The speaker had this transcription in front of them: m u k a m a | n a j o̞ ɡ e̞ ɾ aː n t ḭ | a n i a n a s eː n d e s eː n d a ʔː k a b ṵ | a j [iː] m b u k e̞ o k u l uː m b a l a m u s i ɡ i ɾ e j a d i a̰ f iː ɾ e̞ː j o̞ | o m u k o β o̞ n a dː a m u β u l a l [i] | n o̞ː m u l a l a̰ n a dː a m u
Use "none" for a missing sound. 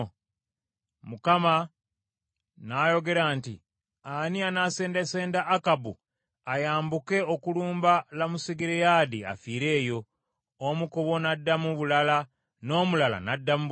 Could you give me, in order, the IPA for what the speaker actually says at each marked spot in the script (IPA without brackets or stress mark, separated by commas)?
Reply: aː, a